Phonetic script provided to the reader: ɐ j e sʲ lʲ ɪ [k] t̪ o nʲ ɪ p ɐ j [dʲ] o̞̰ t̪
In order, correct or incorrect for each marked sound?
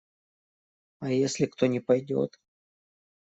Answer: correct, correct

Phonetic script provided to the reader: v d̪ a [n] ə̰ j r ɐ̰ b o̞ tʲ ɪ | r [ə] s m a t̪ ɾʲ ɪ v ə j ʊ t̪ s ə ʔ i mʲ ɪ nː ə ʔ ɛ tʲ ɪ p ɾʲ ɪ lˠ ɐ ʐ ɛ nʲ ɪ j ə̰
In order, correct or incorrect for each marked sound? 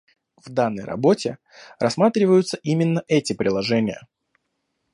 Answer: incorrect: nː, incorrect: ɐ

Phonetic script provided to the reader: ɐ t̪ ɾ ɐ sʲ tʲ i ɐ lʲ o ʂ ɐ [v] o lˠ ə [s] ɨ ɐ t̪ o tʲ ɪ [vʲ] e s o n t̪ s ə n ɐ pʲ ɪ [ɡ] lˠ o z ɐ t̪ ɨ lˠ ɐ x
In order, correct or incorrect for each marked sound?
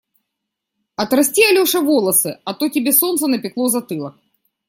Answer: correct, correct, incorrect: bʲ, incorrect: k

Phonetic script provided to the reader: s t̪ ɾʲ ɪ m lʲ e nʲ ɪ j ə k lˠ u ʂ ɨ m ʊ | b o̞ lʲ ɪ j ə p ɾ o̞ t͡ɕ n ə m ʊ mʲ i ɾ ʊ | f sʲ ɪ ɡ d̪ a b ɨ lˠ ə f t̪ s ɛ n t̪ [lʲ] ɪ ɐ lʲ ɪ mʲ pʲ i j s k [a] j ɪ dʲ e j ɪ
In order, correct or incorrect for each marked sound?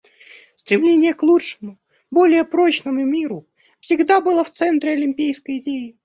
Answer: incorrect: ɾʲ, incorrect: ə

